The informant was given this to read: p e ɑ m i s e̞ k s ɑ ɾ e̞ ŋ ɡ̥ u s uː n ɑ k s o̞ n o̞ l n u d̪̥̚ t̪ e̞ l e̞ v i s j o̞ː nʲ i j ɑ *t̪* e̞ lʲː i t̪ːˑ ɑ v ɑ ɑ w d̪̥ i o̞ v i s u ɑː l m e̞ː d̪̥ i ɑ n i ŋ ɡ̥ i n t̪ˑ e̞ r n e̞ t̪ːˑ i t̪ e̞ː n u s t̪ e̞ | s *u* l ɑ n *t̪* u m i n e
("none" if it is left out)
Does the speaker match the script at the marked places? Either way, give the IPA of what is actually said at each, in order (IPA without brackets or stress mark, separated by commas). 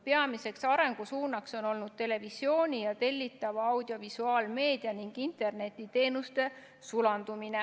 t̪, u, d̪